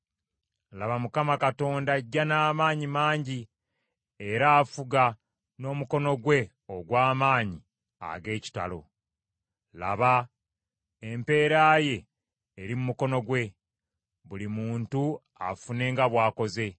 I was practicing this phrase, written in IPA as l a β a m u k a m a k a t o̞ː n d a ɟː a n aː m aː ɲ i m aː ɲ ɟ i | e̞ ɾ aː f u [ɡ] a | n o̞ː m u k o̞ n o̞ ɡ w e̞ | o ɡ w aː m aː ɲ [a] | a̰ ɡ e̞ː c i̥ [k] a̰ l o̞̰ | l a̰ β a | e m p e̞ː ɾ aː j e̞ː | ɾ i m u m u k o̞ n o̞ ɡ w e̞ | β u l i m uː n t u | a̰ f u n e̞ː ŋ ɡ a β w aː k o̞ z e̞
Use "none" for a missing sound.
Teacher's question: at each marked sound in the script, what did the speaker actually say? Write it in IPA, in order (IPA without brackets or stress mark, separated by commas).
ɡ, i, t